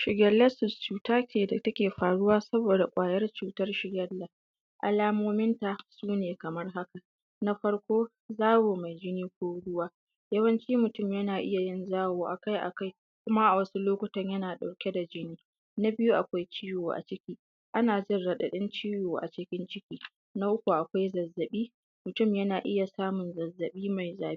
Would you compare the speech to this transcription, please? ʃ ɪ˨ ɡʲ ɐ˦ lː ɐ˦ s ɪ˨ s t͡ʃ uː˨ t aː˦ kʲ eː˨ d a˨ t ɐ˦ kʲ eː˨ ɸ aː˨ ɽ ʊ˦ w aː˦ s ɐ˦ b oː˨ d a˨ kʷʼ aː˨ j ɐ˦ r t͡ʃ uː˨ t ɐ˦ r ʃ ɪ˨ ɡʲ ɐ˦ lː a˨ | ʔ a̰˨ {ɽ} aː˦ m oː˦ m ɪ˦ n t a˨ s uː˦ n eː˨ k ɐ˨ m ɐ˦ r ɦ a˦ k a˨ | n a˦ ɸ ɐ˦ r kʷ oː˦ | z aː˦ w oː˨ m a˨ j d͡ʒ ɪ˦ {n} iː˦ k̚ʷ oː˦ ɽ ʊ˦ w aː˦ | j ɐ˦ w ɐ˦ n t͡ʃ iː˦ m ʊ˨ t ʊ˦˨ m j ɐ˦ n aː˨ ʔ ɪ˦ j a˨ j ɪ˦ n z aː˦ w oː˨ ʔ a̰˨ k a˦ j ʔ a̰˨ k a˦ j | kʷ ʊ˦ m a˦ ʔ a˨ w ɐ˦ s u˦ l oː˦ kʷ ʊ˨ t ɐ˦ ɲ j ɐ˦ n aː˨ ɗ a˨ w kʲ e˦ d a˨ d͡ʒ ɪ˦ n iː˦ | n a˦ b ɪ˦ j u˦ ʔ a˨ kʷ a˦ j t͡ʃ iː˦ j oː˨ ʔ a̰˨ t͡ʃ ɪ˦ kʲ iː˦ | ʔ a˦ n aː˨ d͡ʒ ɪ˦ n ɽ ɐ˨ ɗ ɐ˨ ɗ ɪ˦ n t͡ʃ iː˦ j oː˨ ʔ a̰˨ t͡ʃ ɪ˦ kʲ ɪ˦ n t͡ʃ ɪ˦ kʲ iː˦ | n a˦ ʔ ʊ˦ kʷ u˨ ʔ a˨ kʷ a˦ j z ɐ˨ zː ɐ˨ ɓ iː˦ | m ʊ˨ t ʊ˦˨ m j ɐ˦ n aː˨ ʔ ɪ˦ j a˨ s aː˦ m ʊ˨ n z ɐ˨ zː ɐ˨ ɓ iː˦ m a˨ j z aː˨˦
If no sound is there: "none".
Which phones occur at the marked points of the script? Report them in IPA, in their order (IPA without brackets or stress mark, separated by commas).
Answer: l, n